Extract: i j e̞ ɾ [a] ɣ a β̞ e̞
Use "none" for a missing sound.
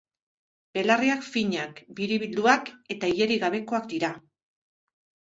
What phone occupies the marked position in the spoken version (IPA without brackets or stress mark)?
i